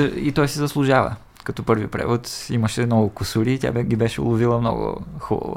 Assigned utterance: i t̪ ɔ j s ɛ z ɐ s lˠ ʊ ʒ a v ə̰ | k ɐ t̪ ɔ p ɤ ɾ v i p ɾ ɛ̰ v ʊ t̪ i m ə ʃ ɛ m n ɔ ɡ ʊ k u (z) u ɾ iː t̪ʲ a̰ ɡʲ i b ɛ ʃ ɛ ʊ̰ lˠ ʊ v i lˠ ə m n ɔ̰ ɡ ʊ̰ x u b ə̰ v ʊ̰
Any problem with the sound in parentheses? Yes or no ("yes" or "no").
yes